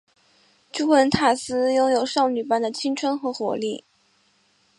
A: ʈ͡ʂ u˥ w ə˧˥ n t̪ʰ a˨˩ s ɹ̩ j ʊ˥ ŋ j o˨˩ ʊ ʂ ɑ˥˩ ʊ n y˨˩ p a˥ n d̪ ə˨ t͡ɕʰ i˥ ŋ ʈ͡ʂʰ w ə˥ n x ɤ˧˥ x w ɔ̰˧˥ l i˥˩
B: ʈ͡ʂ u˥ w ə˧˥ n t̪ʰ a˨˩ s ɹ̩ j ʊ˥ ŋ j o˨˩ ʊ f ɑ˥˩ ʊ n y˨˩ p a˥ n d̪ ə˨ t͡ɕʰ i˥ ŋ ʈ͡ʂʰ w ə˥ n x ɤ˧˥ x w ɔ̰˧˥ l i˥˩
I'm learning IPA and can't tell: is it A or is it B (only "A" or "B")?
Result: A